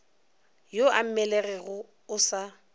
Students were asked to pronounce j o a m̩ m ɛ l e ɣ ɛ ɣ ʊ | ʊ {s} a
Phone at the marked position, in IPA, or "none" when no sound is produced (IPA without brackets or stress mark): s